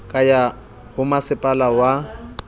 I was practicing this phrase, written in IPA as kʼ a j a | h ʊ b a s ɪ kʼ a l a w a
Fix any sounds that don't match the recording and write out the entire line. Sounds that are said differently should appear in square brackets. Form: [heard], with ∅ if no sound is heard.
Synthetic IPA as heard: kʼ a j a | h ʊ [m] a s ɪ [pʼ] a l a w a